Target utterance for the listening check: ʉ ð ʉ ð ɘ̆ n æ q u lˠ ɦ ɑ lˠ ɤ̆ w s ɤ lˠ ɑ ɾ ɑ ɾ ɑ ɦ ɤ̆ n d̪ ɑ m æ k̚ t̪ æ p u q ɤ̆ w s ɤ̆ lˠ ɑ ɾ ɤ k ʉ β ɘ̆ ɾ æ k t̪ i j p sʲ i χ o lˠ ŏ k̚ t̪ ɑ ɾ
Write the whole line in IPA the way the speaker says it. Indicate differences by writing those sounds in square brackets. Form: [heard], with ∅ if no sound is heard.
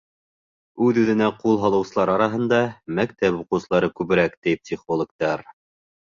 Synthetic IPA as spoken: ʉ ð ʉ ð ɘ̆ n æ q u lˠ ɦ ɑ lˠ ɤ̆ w s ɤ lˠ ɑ ɾ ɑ ɾ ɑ ɦ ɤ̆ n d̪ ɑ m æ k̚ t̪ æ p u q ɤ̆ w s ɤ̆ lˠ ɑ ɾ ɤ k ʉ β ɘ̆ ɾ æ k t̪ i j p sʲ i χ o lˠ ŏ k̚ t̪ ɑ ɾ